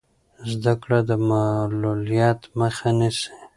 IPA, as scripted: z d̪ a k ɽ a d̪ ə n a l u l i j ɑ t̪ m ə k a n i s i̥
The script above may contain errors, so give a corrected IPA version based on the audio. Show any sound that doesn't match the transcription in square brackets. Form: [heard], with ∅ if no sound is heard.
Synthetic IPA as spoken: z d̪ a k ɽ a d̪ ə [m] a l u l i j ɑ t̪ m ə [x] a n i s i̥